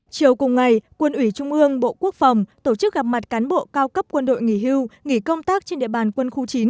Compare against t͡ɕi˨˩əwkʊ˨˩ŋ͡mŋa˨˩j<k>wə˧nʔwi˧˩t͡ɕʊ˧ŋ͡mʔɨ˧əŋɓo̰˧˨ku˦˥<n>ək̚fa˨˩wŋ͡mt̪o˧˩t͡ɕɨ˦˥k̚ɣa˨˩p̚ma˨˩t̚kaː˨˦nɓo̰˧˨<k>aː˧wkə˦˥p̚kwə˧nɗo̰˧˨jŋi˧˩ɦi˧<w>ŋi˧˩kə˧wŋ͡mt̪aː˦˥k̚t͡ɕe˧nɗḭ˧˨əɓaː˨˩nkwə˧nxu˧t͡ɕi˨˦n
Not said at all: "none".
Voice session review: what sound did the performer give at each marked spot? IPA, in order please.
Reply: k, none, k, w

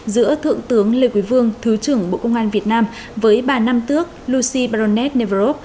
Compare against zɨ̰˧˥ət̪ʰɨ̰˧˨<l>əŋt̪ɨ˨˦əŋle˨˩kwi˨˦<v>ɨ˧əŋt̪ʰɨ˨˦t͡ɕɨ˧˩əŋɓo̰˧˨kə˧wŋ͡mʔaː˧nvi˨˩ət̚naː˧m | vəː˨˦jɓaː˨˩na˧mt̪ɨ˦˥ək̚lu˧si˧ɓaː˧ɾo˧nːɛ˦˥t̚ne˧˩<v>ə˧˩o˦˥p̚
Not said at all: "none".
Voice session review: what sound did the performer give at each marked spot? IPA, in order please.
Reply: none, v, v

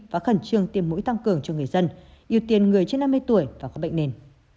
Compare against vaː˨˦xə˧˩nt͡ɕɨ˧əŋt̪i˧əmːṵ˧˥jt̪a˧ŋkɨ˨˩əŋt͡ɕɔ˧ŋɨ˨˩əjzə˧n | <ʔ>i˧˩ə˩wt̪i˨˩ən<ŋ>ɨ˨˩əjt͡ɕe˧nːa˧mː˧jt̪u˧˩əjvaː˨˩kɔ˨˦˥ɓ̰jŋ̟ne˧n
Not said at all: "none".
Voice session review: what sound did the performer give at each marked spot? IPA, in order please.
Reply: ʔ, ŋ

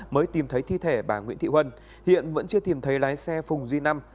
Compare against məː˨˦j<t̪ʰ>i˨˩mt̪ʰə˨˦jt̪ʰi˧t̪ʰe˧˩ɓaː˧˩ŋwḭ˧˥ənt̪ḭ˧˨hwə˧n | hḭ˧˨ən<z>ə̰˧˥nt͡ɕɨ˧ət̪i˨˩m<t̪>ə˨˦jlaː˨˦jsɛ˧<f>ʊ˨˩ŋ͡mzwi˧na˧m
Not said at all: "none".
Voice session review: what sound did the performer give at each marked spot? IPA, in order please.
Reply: t̪, v, t̪ʰ, f

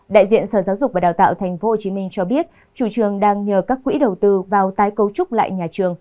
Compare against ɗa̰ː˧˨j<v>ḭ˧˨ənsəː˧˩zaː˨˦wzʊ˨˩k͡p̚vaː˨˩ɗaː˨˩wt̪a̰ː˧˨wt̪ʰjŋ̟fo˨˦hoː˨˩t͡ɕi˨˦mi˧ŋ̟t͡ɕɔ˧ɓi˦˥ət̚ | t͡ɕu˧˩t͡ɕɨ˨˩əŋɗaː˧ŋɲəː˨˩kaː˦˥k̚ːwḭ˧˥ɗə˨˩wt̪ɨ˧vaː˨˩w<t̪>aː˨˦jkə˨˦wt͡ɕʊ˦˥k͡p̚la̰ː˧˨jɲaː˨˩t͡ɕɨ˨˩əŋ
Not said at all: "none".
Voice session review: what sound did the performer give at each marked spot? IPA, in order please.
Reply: z, t̪

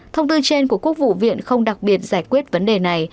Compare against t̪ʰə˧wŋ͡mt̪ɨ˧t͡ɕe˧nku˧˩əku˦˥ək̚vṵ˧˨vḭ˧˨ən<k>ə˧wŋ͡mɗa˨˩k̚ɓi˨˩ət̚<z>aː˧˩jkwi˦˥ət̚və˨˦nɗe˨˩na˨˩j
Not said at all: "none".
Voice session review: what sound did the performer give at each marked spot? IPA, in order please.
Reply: x, z

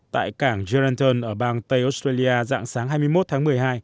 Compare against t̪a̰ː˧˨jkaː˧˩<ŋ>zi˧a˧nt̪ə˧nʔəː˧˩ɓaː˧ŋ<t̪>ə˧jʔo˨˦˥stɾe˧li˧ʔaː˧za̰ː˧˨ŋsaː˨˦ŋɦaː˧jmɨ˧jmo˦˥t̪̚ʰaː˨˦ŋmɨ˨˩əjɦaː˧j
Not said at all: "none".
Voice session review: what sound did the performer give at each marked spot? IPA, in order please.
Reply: ŋ, t̪

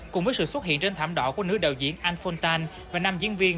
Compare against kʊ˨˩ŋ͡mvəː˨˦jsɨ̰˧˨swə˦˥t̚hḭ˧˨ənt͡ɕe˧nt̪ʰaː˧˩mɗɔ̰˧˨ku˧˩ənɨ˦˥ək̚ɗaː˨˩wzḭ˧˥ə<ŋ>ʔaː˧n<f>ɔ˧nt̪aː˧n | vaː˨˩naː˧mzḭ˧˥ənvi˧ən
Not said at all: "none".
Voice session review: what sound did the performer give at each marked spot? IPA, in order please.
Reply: n, f

